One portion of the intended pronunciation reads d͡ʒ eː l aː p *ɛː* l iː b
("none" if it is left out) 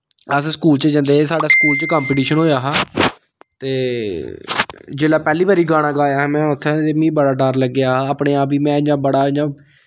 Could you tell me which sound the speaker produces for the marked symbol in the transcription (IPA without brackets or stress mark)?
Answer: ɛː